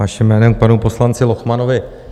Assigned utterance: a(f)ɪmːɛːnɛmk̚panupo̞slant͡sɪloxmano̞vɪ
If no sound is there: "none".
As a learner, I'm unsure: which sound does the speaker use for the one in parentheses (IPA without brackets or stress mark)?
ʃ